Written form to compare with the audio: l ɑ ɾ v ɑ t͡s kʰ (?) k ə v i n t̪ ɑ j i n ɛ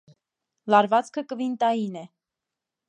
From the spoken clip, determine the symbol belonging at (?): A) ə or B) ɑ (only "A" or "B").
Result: A